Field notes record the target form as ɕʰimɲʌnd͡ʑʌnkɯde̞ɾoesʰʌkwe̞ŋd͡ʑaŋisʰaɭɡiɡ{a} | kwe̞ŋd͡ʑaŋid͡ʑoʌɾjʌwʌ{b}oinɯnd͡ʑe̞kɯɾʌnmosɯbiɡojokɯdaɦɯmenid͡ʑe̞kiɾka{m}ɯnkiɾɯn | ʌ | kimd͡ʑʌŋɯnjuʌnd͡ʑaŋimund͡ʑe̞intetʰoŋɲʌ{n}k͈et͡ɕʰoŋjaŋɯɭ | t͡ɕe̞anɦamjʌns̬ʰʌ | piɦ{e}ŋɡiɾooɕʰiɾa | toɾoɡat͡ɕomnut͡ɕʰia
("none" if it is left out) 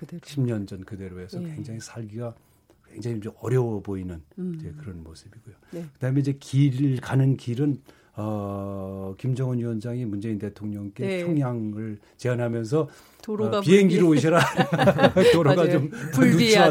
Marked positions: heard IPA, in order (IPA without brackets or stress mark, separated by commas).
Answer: a, b, n, ŋ, e